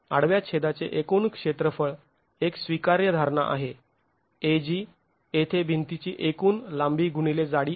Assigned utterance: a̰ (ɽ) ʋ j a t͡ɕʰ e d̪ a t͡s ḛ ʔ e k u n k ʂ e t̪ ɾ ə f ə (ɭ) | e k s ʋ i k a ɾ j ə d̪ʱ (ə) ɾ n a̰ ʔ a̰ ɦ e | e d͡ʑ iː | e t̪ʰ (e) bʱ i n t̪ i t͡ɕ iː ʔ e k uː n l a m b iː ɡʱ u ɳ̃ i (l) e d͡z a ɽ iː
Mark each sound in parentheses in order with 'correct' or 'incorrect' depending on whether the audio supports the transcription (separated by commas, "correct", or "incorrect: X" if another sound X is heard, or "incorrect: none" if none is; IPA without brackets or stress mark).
correct, correct, incorrect: a, correct, correct